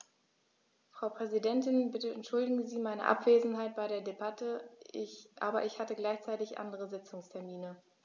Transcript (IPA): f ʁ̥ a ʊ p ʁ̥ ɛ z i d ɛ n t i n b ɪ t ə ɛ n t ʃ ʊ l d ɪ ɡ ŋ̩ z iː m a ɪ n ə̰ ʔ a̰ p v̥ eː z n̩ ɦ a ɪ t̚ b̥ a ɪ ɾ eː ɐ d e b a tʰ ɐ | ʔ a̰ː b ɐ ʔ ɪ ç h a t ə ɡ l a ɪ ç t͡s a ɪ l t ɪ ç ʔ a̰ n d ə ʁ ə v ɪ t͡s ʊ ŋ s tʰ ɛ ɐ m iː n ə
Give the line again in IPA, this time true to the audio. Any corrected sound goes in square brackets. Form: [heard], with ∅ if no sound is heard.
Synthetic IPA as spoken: f ʁ̥ a ʊ p ʁ̥ ɛ z i d ɛ n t [ɪ] n b ɪ t ə ɛ n t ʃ ʊ l d ɪ ɡ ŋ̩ z iː m a ɪ n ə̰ ʔ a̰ p v̥ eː z n̩ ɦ a ɪ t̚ b̥ a ɪ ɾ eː ɐ d e b a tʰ [ə] | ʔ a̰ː b ɐ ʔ ɪ ç h a t ə ɡ l a ɪ ç t͡s a ɪ [∅] t ɪ ç ʔ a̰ n d ə ʁ ə [z] ɪ t͡s ʊ ŋ s tʰ ɛ ɐ m iː n ə